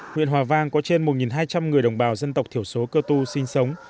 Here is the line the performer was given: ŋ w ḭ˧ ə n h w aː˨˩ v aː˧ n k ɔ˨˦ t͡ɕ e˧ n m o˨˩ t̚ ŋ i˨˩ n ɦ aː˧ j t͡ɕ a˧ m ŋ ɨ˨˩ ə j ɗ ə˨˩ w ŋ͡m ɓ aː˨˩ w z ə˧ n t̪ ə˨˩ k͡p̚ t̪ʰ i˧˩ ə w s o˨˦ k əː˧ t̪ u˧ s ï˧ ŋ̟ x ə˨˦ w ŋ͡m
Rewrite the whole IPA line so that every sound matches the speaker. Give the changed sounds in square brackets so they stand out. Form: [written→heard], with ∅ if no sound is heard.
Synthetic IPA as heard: ŋ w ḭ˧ ə n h w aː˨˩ v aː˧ [n→ŋ] k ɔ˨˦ t͡ɕ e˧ n m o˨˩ t̚ ŋ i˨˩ n ɦ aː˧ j t͡ɕ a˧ m ŋ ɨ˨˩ ə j ɗ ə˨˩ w ŋ͡m ɓ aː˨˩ w z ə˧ n t̪ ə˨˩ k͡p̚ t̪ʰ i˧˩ ə w s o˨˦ k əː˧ t̪ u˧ s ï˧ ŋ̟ [x→s] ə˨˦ w ŋ͡m

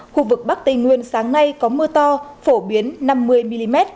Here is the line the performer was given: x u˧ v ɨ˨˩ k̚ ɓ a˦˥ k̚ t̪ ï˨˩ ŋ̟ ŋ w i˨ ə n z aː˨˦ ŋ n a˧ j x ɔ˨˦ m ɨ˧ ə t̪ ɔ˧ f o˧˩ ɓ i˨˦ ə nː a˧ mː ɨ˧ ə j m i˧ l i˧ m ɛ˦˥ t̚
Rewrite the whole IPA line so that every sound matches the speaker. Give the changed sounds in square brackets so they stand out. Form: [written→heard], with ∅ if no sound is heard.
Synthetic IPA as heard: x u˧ v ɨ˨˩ k̚ ɓ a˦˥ k̚ t̪ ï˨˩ ŋ̟ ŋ w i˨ ə n [z→s] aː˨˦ ŋ n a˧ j [x→k] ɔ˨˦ m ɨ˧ ə t̪ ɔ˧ f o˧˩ ɓ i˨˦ ə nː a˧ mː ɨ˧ ə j m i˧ l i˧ m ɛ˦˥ t̚

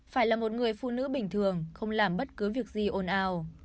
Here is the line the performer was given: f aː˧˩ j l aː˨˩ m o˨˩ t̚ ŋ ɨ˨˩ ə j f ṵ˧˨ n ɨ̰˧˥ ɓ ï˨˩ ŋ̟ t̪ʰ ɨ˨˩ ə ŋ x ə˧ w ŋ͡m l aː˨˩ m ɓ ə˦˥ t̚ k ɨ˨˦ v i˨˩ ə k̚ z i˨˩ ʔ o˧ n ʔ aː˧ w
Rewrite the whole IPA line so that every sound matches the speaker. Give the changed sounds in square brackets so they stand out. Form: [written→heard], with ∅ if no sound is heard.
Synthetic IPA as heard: f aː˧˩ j l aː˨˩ m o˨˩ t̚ ŋ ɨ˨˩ ə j f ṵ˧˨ n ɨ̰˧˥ ɓ ï˨˩ ŋ̟ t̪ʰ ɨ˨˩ ə ŋ x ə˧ w ŋ͡m l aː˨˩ m ɓ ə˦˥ t̚ k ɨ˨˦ v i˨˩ ə k̚ z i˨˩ ʔ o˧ n ʔ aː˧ w

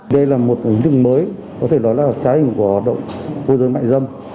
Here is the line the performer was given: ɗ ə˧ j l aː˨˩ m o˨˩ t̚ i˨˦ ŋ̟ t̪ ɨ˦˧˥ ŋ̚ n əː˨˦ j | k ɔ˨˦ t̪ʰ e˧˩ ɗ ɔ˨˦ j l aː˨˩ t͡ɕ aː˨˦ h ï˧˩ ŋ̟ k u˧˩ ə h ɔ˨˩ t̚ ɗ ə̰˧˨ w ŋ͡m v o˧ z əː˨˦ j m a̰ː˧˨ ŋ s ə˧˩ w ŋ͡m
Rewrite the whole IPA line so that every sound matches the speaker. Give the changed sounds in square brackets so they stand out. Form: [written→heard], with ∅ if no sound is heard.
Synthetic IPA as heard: ɗ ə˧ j l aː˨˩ m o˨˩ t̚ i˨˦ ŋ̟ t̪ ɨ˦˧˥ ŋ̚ [n→m] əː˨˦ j | k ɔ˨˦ t̪ʰ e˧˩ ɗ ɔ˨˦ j l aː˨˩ t͡ɕ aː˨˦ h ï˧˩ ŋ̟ k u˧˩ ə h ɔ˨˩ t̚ ɗ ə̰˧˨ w ŋ͡m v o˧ z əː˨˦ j m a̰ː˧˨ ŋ [s→z] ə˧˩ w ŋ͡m

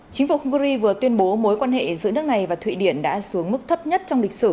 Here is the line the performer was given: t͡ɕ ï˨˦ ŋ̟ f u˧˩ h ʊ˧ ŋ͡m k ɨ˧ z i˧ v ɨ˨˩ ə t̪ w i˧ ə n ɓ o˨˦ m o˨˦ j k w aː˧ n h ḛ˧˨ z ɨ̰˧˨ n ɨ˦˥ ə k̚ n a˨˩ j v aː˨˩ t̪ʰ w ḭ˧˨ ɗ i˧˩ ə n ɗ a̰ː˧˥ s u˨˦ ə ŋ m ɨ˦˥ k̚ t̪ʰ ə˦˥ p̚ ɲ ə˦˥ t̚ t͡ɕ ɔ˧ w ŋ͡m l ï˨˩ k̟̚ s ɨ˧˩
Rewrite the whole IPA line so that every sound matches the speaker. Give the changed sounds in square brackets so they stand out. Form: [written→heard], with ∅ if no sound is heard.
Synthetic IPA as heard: t͡ɕ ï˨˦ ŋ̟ f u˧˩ h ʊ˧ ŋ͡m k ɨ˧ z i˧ v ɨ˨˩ ə t̪ w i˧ ə n ɓ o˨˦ m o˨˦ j k w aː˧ n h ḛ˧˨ z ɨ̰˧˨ n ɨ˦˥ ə k̚ n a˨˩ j v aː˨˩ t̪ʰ w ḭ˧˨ ɗ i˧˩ ə n ɗ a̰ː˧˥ s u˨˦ ə ŋ m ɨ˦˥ k̚ t̪ʰ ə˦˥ p̚ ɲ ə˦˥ t̚ t͡ɕ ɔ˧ w ŋ͡m l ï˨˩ k̟̚ s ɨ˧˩

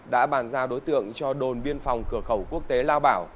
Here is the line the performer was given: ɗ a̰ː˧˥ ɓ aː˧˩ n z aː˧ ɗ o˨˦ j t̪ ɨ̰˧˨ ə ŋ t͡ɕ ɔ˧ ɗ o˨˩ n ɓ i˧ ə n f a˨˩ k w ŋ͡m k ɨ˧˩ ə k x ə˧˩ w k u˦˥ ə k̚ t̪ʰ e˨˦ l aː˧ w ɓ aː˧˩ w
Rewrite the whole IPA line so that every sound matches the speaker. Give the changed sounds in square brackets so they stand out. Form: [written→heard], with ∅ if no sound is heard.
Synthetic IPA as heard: ɗ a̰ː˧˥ ɓ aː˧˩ n z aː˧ ɗ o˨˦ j t̪ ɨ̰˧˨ ə ŋ t͡ɕ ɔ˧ ɗ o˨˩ n ɓ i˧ ə n f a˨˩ [k→∅] w ŋ͡m k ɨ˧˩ ə [k→∅] x ə˧˩ w k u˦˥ ə k̚ [t̪ʰ→t̪] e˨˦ l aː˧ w ɓ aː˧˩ w

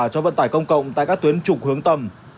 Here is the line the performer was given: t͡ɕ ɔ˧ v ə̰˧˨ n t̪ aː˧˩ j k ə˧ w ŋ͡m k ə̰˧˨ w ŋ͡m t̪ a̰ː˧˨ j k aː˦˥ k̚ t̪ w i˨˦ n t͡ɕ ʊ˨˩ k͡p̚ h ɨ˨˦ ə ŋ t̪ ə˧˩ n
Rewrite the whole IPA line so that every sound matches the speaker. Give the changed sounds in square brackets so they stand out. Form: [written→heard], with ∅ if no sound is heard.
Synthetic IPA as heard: t͡ɕ ɔ˧ v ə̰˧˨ n t̪ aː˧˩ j k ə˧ w ŋ͡m k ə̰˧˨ w ŋ͡m t̪ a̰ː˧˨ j k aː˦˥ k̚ t̪ w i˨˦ n t͡ɕ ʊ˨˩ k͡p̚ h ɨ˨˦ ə ŋ t̪ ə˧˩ [n→m]

